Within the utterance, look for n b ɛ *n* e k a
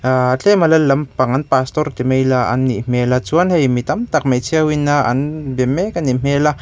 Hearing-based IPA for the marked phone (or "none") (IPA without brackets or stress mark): m